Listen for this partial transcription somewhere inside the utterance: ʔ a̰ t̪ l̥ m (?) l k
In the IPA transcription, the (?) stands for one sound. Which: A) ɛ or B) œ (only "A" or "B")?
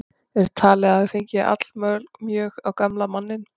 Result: B